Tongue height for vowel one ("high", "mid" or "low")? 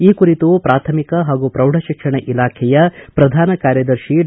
high